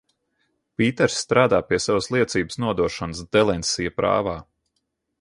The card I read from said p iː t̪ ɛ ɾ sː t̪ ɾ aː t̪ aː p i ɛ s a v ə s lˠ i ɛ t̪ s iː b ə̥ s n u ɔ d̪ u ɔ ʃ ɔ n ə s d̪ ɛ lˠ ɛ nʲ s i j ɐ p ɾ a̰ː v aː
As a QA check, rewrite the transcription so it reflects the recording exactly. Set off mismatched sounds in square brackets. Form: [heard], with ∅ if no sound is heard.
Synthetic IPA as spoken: p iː t̪ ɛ ɾ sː t̪ ɾ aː [d̪] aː p i ɛ s a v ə s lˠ i ɛ t̪ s iː b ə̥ s n u ɔ d̪ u ɔ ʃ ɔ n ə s d̪ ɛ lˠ ɛ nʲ s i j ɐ p ɾ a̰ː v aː